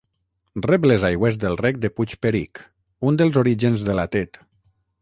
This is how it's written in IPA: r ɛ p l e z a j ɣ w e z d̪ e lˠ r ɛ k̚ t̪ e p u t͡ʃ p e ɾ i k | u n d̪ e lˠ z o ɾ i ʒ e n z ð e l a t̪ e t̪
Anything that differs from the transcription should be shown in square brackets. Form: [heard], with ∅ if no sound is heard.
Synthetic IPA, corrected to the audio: r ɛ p l e z a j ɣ w e z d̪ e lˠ r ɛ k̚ [d̪] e p u t͡ʃ p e ɾ i k | u n d̪ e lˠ z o ɾ i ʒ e n z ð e l a t̪ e t̪